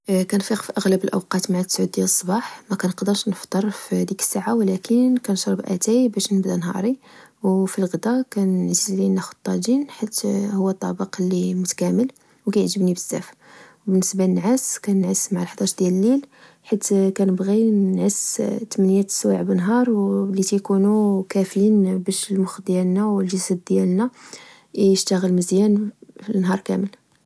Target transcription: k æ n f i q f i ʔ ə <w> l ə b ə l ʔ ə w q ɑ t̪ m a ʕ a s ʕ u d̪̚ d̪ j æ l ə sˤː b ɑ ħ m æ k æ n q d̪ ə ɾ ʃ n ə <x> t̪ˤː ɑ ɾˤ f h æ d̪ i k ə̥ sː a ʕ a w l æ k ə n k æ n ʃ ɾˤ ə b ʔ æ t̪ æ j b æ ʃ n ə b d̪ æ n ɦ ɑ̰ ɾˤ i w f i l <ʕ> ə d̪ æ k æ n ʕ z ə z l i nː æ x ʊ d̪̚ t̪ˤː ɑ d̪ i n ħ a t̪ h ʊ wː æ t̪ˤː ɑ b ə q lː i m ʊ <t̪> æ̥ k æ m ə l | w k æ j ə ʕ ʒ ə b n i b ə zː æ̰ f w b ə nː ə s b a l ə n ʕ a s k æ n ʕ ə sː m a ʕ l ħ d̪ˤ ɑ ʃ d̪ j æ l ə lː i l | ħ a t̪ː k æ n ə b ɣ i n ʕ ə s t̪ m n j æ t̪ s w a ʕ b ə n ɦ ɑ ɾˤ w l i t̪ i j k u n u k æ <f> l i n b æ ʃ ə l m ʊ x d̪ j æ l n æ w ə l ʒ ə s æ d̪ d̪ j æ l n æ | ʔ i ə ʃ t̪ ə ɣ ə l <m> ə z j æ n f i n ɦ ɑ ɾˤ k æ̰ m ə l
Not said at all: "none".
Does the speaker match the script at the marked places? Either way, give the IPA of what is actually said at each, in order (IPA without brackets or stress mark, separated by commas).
ɣ, f, ɣ, t̪, f, m